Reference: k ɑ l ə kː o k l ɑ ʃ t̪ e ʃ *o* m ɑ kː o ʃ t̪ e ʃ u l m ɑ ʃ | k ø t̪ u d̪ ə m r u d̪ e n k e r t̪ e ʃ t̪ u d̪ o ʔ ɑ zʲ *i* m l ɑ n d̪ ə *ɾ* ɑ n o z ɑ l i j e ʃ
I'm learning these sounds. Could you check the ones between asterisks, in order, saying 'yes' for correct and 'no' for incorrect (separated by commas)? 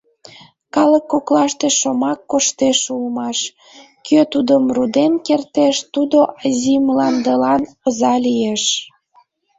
yes, yes, no